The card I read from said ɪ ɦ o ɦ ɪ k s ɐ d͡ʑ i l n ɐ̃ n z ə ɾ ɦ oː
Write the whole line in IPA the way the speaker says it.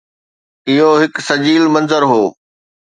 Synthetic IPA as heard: ɪ ɦ o ɦ ɪ k s ɐ d͡ʑ iː l m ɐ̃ n z ə ɾ ɦ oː